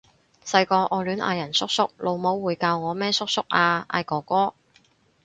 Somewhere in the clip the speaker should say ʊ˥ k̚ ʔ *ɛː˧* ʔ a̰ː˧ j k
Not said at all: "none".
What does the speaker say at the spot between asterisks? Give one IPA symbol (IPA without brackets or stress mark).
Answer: aː˧